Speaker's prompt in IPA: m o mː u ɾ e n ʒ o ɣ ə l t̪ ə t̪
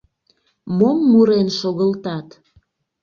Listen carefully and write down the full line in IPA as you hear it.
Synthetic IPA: m o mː u ɾ e n ʃ o ɣ ə l t̪ ɑ t̪

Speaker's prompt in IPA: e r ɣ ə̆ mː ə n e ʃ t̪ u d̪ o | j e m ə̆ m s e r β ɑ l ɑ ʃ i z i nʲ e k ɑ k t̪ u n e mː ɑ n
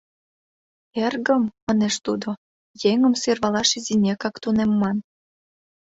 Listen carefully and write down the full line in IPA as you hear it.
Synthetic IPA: e r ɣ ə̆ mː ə n e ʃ t̪ u d̪ o | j e ŋ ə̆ m s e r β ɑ l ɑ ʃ i z i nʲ e k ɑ k t̪ u n e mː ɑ n

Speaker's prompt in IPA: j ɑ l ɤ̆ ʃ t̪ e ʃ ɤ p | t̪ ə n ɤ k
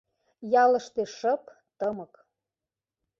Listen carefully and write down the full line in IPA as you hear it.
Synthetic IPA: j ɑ l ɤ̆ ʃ t̪ e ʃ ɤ p | t̪ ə m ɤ k

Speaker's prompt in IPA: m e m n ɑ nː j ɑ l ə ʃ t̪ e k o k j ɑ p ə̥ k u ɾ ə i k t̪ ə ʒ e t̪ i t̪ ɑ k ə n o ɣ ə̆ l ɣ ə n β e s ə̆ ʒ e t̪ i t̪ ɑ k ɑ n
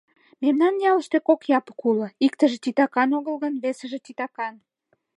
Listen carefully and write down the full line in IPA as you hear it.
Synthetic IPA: m e m n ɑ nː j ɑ l ə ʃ t̪ e k o k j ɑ p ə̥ k u l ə i k t̪ ə ʒ e t̪ i t̪ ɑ k ɑ n o ɣ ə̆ l ɣ ə n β e s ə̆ ʒ e t̪ i t̪ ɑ k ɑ n

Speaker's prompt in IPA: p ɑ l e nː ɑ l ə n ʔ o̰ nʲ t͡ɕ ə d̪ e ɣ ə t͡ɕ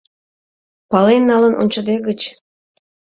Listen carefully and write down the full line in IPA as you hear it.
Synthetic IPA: p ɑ l e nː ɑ l ə n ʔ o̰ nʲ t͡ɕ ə d̪ e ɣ ə t͡ɕ

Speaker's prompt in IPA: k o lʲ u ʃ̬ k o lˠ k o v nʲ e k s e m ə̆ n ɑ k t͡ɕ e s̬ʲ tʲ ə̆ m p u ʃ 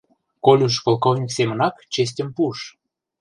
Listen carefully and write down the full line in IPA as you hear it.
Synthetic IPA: k o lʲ u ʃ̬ k o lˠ k o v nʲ i k s e m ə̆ n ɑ k t͡ɕ e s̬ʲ tʲ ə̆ m p u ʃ

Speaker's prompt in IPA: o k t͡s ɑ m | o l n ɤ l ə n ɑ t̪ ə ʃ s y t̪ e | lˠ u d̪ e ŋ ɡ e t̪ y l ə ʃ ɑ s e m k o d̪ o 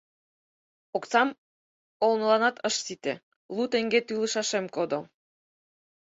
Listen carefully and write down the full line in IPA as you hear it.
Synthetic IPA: o k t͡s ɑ m | o l n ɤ l ɑ n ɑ t̪ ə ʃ s i t̪ e | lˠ u t̪ e ŋ ɡ e t̪ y l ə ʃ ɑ ʃ e m k o d̪ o

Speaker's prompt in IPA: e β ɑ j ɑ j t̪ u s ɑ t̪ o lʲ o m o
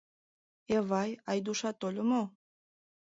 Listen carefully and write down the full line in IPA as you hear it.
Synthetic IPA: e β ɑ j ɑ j d̪ u ʃ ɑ t̪ o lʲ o m o

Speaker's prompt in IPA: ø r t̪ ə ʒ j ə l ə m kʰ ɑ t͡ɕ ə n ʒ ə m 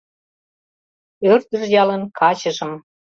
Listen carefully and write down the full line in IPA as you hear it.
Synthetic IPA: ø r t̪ ə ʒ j ɑ l ə n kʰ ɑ t͡ɕ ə ʒ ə m

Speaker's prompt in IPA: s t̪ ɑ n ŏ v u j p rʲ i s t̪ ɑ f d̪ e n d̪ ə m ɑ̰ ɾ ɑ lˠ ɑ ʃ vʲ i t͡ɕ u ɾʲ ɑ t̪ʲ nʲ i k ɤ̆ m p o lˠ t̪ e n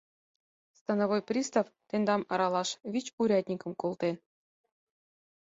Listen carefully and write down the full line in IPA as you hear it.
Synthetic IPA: s t̪ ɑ n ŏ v o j p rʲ i s t̪ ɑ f t̪ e n d̪ ɑ m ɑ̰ ɾ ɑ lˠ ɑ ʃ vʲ i t͡ɕ u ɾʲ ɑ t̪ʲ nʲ i k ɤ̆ m k o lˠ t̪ e n

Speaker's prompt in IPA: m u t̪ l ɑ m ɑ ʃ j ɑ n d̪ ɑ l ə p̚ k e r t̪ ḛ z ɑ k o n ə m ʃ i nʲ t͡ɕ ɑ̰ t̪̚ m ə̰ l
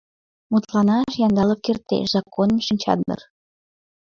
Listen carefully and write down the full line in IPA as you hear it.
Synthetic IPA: m u t̪ l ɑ n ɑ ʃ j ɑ n d̪ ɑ l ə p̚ k e r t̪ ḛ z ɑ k o n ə m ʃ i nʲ t͡ɕ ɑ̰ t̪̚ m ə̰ r

